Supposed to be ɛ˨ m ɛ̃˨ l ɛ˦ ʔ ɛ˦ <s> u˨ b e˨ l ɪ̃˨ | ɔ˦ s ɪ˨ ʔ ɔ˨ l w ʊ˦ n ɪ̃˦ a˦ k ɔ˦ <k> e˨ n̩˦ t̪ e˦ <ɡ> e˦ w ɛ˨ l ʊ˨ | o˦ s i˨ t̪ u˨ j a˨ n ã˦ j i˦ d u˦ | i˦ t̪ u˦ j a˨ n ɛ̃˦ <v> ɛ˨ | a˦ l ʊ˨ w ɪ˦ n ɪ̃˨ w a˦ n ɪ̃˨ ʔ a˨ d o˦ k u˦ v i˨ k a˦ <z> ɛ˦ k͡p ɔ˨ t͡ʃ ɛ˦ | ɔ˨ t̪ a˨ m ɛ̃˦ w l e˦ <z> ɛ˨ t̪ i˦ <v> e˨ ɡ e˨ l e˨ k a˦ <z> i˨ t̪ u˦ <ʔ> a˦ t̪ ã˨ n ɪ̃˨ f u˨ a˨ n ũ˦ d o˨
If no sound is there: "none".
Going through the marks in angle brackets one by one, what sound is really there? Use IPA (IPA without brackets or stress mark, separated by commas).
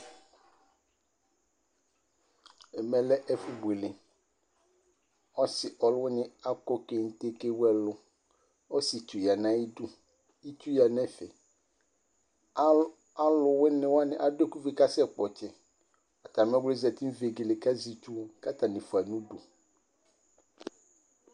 f, k, k, f, s, z, v, z, k